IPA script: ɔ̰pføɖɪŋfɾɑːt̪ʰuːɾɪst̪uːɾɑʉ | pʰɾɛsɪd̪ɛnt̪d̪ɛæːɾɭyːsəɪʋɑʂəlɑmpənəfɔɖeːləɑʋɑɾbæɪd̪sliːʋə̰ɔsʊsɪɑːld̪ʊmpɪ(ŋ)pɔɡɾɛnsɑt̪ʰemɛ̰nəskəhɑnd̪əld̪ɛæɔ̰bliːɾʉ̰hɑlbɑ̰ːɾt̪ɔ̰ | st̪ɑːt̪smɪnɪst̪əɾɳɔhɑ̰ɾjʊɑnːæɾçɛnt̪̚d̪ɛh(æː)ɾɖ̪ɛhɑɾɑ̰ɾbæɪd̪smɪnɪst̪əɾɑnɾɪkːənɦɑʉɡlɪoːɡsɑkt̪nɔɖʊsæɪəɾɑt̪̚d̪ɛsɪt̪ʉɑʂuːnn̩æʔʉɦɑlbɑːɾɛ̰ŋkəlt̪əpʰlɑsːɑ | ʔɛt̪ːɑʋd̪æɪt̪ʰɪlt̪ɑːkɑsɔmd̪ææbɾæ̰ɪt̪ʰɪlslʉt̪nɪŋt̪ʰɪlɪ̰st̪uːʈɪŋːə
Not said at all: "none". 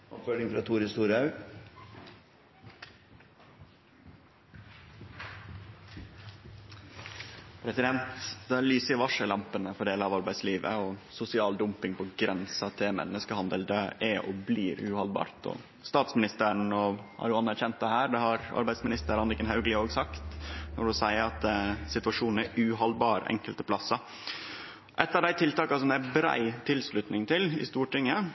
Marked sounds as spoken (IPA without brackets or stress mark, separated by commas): ŋ, æː